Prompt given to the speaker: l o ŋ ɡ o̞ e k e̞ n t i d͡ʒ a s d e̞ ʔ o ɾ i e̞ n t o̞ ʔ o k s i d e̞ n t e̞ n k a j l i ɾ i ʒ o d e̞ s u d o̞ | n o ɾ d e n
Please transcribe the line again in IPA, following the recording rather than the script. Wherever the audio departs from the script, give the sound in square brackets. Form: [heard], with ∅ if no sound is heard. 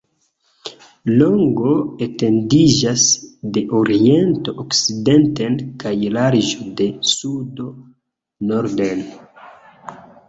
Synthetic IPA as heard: l o ŋ ɡ o̞ e [t] e̞ n [d] i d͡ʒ a s d e̞ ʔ o ɾ i e̞ n t o̞ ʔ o k s i d e̞ n t e̞ n k a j l [a] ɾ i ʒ o d e̞ s u d o̞ | n o ɾ d e n